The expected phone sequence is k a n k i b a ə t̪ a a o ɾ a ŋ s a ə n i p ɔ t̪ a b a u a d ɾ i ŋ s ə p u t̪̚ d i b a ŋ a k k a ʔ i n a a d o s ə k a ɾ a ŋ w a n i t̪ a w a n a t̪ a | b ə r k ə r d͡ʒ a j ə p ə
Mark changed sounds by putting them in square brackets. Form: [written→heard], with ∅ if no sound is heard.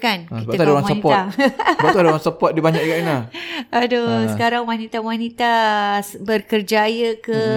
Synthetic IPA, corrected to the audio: k a n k i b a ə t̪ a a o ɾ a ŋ s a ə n i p ɔ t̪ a b a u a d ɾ [i→a] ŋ s ə p [u→ɔ] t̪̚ d i b a [ŋ→ɲ] a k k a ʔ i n a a d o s ə k a ɾ a ŋ w a n i t̪ a w a n [a→i] t̪ a | b ə r k ə r d͡ʒ a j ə [p→k] ə